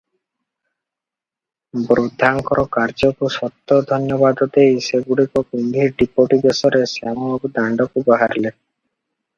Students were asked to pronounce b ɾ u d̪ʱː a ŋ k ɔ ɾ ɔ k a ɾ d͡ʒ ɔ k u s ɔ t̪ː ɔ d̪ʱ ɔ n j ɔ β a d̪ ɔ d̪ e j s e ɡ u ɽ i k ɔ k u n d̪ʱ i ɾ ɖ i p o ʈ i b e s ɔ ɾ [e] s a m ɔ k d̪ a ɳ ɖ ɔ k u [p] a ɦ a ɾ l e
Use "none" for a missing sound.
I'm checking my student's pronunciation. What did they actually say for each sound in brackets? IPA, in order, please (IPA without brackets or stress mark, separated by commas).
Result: e, b